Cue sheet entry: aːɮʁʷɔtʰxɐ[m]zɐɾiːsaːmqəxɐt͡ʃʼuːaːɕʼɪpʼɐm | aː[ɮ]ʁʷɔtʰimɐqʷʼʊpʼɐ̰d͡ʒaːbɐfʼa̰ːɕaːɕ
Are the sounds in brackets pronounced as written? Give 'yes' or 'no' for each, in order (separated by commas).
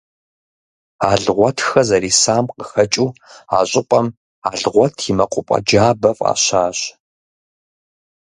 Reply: no, yes